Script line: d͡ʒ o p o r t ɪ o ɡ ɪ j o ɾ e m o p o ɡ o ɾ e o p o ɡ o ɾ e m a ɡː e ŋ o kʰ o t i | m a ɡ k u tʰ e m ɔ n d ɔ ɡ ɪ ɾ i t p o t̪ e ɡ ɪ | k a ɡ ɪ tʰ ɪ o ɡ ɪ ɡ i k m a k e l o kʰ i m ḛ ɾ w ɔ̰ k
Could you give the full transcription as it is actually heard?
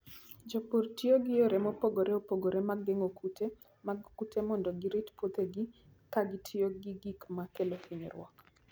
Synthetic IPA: d͡ʒ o p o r t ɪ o ɡ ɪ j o ɾ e m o p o ɡ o ɾ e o p o ɡ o ɾ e m a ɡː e ŋ o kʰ u t e | m a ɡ k u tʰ e m ɔ n d ɔ ɡ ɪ ɾ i t p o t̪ e ɡ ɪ | k a ɡ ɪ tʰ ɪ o ɡ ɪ ɡ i k m a k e l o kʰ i ɲ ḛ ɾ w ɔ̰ k